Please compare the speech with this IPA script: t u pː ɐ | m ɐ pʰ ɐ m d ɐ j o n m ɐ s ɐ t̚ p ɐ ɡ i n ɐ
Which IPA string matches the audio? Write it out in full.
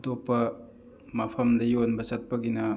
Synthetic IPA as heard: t o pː ɐ | m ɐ pʰ ɐ m d ɐ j o n b ɐ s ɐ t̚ p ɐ ɡ i n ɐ